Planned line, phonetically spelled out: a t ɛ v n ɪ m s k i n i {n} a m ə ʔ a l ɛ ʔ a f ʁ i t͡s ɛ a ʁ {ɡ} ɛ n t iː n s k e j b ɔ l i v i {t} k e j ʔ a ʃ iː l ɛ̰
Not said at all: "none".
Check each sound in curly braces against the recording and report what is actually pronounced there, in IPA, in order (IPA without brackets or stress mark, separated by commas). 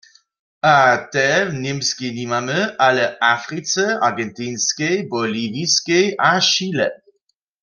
m, ɡ, s